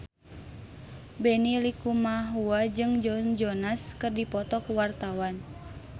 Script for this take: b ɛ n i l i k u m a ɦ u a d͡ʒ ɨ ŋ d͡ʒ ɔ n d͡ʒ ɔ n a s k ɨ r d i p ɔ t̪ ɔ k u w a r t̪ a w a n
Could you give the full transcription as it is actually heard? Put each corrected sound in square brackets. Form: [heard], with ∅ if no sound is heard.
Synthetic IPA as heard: b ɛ n i l i k u m a ɦ u a d͡ʒ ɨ ŋ d͡ʒ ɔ n d͡ʒ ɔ n a s k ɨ r d i p ɔ t̪ ɔ k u w a r t̪ a w a n